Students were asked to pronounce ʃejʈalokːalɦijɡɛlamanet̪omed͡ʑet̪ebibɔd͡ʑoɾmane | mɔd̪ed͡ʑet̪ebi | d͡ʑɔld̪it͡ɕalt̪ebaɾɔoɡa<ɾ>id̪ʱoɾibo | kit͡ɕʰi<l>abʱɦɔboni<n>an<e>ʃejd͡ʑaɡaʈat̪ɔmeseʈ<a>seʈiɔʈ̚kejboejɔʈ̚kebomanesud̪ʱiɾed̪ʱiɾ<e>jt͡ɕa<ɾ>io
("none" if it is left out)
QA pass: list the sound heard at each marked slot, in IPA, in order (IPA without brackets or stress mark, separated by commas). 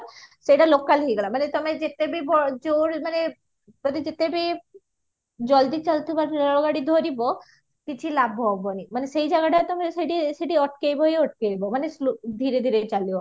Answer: ɽ, l, m, e, i, e, l